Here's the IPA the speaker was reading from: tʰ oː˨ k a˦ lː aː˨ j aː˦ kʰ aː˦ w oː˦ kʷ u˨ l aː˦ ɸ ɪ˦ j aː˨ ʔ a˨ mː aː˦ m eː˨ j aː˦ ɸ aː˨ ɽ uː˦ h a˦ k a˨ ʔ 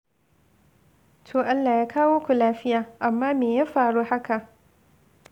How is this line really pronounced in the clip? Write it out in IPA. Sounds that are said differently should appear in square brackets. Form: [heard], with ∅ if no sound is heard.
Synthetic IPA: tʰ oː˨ [ʔ] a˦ lː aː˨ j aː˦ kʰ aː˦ w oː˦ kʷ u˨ l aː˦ ɸ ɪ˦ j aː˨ ʔ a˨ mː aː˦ m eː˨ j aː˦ ɸ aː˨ ɽ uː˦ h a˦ k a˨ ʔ

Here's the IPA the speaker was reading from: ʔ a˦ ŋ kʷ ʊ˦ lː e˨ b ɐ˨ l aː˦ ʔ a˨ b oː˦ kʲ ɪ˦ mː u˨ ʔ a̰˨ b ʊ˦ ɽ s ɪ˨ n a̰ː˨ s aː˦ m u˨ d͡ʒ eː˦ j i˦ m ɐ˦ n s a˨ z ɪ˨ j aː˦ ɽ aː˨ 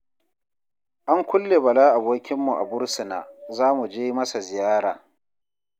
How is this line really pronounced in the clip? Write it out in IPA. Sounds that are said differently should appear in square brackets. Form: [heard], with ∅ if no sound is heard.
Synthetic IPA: ʔ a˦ ŋ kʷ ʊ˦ lː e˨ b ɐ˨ l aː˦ ʔ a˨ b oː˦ kʲ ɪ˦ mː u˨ ʔ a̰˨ b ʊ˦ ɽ s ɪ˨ n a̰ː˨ [z] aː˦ m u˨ d͡ʒ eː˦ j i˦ m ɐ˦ [∅] s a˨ z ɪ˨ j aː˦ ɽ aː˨

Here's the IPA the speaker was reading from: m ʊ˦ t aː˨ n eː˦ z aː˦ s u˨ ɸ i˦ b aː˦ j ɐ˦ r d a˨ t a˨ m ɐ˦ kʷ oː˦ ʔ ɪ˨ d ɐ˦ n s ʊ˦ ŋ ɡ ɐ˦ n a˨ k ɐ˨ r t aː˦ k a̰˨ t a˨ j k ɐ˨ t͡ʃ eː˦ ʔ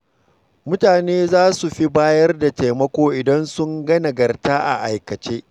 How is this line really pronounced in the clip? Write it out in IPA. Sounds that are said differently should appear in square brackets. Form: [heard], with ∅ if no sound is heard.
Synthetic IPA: m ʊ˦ t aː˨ n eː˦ z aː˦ s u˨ ɸ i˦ b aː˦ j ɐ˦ r d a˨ t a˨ m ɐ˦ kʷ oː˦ ʔ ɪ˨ d ɐ˦ n s ʊ˦ ŋ ɡ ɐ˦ n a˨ [ɡ] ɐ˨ r t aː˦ [ʔ] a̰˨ [ʔ] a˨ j k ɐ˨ t͡ʃ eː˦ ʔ

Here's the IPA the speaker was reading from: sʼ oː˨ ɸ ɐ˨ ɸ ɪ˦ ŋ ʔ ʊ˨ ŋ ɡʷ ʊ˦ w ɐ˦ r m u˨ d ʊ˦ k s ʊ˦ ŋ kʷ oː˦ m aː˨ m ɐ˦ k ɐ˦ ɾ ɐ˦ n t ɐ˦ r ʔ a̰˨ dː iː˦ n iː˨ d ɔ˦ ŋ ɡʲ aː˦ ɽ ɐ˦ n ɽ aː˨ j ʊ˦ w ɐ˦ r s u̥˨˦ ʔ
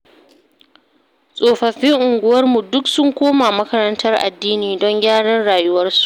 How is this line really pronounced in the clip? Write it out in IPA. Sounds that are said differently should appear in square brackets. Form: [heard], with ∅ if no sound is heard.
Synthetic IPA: sʼ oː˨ ɸ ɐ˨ ɸ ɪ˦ ŋ ʔ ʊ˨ ŋ ɡʷ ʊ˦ w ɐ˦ r m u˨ d ʊ˦ k s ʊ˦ ŋ kʷ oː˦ m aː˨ m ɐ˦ k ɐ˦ ɾ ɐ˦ n t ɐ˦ r ʔ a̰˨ dː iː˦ n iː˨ d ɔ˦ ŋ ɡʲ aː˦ ɽ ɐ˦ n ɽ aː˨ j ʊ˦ w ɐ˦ r s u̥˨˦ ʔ

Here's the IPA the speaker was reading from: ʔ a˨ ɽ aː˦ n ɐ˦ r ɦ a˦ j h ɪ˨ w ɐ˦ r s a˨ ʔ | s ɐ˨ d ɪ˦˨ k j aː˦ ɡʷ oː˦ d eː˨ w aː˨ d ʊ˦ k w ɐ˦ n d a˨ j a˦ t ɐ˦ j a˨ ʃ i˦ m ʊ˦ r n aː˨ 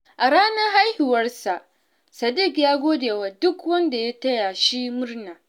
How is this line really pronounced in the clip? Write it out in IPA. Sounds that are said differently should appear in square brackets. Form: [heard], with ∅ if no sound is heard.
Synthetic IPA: ʔ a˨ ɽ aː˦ n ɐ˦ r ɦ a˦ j h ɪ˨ w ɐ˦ r s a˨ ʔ | s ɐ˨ d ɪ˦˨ k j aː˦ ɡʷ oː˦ d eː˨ w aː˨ d ʊ˦ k w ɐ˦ n d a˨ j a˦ t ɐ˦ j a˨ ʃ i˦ m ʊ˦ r n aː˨

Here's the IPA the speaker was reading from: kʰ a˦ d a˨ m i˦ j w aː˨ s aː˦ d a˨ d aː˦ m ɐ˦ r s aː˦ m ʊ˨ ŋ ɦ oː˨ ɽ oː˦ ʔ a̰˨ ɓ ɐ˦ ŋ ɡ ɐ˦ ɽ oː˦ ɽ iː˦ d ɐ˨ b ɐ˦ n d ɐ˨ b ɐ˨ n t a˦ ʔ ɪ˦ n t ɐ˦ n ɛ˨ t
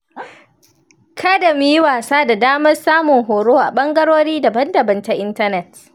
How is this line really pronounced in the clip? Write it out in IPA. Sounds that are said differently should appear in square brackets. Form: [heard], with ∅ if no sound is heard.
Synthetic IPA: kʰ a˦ d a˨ m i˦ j w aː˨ s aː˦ d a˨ d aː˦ m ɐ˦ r s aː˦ m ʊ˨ ŋ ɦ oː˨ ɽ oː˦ ʔ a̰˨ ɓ ɐ˦ ŋ ɡ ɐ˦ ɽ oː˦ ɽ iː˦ d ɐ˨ b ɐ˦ n d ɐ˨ b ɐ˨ n t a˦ ʔ ɪ˦ n t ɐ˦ n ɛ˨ t

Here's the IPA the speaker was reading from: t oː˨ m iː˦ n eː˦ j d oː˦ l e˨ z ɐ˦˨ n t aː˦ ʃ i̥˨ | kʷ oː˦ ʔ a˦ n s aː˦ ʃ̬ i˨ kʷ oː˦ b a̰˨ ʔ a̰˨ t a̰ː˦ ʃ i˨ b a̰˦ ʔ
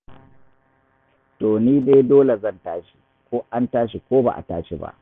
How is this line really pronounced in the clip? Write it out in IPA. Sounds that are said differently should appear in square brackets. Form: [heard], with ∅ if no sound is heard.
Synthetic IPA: t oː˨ [n] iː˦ n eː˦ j d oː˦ l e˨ z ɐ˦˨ n t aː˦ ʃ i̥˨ | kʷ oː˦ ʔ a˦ n [t] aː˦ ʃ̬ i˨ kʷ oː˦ b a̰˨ ʔ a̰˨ t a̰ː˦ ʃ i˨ b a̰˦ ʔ

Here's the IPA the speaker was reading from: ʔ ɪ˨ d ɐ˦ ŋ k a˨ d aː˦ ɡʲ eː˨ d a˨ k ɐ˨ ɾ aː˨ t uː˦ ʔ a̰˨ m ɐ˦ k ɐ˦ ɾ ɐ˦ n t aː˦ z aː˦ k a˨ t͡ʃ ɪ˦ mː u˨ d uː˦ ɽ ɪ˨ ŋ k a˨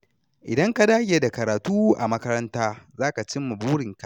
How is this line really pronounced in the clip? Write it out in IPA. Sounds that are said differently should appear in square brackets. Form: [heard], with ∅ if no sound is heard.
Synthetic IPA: ʔ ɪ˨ d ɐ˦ ŋ k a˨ d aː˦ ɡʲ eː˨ d a˨ k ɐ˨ ɾ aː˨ t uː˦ ʔ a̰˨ m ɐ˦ k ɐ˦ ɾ ɐ˦ n t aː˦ z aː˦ k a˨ t͡ʃ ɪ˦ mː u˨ [b] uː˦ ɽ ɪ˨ ŋ k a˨

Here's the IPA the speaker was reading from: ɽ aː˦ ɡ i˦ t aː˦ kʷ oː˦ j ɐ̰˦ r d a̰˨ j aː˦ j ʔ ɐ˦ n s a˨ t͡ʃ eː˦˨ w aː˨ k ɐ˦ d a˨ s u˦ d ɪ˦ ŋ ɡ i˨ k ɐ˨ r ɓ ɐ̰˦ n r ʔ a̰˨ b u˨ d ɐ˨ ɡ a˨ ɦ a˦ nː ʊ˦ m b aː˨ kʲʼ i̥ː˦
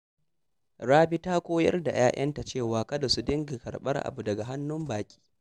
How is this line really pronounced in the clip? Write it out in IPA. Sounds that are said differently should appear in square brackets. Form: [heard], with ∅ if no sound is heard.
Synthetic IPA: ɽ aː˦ [b] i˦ t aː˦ kʷ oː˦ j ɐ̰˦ r d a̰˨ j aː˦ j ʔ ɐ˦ n [t] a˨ t͡ʃ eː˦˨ w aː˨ k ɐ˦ d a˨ s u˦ d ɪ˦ ŋ ɡ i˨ k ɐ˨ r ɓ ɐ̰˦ [∅] r ʔ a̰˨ b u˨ d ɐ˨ ɡ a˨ ɦ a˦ nː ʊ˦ m b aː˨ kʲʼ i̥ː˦

